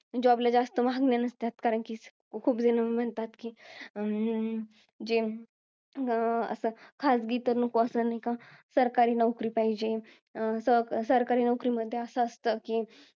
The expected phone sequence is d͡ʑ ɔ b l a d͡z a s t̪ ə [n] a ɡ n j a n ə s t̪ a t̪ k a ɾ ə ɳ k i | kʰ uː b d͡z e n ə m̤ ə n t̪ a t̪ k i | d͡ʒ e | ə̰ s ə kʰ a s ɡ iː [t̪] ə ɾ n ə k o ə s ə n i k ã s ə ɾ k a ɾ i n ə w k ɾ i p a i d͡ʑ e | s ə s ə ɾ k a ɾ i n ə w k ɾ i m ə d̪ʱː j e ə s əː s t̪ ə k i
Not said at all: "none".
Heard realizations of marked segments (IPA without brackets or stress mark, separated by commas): m, t̪